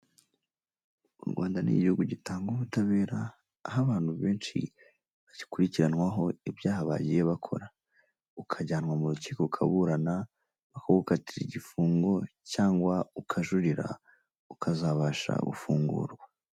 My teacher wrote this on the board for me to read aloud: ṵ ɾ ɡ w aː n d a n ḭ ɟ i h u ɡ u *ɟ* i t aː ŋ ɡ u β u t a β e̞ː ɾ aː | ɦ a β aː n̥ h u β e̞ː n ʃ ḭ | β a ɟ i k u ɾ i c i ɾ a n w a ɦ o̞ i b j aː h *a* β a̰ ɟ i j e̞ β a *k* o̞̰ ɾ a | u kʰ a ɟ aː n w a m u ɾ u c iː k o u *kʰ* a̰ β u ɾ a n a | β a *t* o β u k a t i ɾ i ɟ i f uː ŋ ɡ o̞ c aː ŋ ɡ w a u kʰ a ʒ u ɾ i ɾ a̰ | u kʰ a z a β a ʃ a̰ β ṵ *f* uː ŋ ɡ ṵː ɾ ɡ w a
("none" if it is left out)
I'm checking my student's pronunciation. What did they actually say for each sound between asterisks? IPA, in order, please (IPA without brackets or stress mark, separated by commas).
ɟ, a, kʰ, kʰ, k, f